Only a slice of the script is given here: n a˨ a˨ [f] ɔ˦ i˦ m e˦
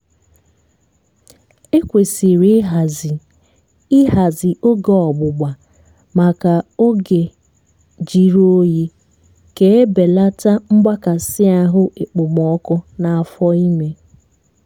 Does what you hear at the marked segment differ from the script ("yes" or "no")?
no